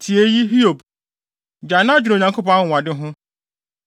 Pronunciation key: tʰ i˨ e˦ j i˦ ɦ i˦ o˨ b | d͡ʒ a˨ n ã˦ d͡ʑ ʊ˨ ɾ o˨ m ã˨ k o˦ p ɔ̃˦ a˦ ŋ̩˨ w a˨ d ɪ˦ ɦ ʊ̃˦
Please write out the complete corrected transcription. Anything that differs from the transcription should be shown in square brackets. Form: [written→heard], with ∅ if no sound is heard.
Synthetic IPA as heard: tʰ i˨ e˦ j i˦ ɦ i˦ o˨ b | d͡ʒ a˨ n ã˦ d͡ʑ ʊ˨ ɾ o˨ [m→ɲ] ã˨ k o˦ p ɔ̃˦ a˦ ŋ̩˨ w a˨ d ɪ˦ ɦ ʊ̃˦